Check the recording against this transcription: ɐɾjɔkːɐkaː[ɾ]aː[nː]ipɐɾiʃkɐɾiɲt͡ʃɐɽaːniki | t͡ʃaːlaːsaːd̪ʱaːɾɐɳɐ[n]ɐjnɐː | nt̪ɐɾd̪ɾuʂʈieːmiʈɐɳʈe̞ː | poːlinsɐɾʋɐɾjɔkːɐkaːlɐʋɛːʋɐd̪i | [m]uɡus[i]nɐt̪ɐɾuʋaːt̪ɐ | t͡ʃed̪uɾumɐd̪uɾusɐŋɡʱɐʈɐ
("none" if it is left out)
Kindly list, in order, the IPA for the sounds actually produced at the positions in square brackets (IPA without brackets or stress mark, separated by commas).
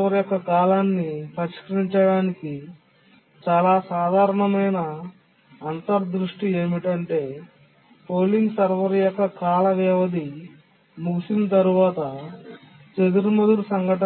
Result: l, nː, m, m, i